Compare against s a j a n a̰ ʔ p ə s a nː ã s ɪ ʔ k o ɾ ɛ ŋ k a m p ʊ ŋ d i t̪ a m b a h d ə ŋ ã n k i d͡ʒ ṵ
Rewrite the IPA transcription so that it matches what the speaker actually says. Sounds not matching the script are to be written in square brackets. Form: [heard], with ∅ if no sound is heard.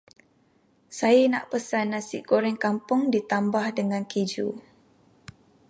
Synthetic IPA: s a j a n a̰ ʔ p ə s a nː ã s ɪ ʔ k o ɾ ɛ ŋ k a m p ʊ ŋ d i t̪ a m b a h d ə ŋ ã n k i d͡ʒ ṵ